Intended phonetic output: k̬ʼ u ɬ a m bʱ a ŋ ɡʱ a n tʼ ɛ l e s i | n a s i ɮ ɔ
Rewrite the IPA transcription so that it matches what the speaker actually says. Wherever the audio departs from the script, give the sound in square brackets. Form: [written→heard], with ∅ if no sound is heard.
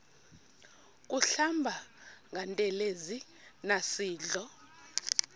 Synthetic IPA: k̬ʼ u ɬ a m bʱ a ŋ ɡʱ a n tʼ ɛ l e [s→z] i | n a s [i→iː] ɮ ɔ